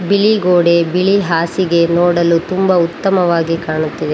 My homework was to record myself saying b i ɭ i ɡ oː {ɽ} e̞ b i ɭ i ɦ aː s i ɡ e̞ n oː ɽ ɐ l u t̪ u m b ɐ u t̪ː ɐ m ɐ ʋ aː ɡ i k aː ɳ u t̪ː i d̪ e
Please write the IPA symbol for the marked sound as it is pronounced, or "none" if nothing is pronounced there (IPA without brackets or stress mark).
ɽ